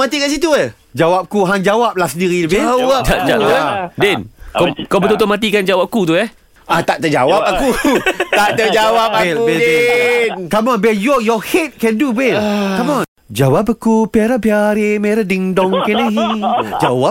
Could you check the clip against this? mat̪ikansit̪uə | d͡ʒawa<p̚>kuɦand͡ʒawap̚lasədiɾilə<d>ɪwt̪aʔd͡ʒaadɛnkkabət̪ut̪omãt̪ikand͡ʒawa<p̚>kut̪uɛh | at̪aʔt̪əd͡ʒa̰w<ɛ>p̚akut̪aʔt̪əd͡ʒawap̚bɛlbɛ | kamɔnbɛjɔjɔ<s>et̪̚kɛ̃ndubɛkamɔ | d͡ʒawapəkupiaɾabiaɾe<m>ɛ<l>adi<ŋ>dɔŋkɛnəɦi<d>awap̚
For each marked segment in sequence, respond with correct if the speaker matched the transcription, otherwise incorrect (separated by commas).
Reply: correct, incorrect, correct, incorrect, incorrect, correct, incorrect, correct, incorrect